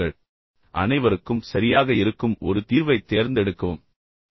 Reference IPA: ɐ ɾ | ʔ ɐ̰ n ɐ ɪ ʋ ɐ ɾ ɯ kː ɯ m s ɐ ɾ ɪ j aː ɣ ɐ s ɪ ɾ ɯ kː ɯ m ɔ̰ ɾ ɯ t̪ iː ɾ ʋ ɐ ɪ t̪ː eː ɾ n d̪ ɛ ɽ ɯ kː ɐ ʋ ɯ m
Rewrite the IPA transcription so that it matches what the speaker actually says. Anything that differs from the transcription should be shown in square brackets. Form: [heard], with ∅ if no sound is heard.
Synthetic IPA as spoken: ɐ [ɭ] | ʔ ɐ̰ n ɐ ɪ ʋ ɐ ɾ ɯ kː ɯ m s ɐ ɾ ɪ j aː ɣ ɐ [∅] ɪ ɾ ɯ kː ɯ m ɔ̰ ɾ ɯ t̪ iː ɾ ʋ ɐ ɪ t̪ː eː ɾ n d̪ ɛ ɽ ɯ kː ɐ ʋ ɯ m